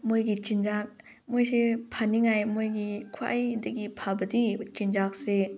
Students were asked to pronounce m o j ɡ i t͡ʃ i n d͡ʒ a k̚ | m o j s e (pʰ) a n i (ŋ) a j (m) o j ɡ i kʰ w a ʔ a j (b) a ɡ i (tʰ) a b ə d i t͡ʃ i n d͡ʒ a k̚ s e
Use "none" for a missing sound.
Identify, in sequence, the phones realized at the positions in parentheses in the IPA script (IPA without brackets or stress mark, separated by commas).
pʰ, ŋ, m, d, pʰ